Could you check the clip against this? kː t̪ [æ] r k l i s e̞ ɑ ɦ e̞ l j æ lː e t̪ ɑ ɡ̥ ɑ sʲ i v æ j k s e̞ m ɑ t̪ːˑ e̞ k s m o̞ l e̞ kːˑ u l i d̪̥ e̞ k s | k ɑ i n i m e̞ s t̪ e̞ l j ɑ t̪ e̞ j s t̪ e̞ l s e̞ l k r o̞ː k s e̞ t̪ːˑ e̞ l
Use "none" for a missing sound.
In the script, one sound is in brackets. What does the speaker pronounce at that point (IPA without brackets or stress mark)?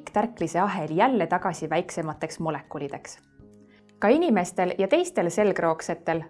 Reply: æ